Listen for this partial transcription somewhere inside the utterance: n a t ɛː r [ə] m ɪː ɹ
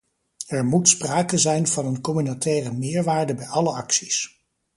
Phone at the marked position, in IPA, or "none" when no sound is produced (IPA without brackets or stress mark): ə